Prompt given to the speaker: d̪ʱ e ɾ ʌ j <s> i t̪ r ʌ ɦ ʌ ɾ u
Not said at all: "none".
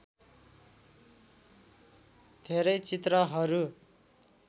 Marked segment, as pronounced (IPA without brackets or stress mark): t͡s